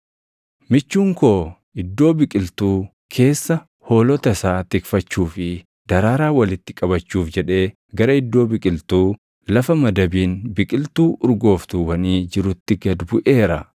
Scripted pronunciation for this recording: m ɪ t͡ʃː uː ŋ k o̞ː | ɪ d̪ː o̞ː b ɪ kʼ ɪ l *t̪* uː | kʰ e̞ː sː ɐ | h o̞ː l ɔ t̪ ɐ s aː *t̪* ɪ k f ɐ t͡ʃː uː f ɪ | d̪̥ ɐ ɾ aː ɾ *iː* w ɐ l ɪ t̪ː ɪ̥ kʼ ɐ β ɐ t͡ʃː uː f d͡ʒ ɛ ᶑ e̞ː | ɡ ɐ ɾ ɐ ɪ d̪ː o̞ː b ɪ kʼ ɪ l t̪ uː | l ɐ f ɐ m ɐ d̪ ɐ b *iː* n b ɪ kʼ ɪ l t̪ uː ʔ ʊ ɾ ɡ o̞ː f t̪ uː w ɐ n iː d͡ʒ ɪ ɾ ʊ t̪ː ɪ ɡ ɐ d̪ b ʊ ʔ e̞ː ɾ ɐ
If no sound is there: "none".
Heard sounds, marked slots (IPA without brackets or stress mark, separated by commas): t̪, t̪, aː, iː